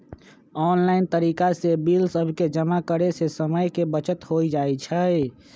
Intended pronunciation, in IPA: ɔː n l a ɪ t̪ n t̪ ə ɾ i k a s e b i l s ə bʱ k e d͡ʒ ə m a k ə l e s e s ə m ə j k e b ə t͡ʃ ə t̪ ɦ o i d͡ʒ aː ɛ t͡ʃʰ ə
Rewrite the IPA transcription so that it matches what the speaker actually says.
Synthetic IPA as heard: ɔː n l a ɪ n t̪ ə ɾ i k a s e b i l s ə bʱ k e d͡ʒ ə m a k ə ɾ e s e s ə m ə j k e b ə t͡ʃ ə t̪ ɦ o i d͡ʒ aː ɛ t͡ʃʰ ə